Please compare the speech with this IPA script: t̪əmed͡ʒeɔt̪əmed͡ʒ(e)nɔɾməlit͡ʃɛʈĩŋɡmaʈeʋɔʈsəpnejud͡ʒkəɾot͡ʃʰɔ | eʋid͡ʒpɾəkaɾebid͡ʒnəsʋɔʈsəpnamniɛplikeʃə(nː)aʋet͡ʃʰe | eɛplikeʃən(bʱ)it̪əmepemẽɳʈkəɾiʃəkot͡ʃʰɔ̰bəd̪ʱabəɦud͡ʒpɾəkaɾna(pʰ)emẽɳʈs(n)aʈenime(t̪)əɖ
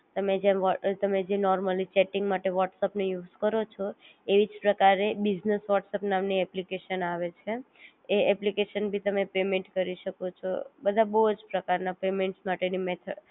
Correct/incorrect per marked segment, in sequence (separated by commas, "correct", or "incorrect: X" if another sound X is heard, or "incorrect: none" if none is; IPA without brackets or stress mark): correct, incorrect: n, correct, incorrect: p, incorrect: m, incorrect: t̪ʰ